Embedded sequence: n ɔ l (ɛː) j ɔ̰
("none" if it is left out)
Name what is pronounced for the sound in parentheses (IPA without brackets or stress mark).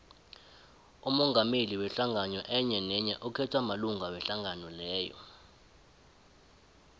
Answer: ɛː